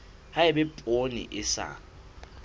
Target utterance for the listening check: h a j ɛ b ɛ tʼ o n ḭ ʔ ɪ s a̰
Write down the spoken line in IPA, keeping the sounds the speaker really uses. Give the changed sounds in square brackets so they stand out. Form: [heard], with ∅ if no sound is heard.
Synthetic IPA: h a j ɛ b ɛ [pʼ] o n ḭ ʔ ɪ s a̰